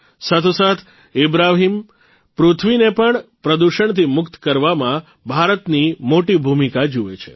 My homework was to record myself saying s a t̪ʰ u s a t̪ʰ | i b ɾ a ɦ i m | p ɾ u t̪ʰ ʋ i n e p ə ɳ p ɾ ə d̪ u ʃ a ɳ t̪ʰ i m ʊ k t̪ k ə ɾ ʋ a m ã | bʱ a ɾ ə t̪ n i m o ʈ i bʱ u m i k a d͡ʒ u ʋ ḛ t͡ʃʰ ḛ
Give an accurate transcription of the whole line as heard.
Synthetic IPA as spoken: s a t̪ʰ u s a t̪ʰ | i b ɾ a ɦ i m | p ɾ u t̪ʰ ʋ i n e p ə ɳ p ɾ ə d̪ u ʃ ə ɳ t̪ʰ i m ʊ k t̪ k ə ɾ ʋ a m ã | bʱ a ɾ ə t̪ n i m o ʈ i bʱ u m i k a d͡ʒ u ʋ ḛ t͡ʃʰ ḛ